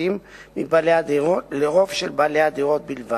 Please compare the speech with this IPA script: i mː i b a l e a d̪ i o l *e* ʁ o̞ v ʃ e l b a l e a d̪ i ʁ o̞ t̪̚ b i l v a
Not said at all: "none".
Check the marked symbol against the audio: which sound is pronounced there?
e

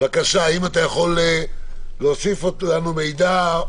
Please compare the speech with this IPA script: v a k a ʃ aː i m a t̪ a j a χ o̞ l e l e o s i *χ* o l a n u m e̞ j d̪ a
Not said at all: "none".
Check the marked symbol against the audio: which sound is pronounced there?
f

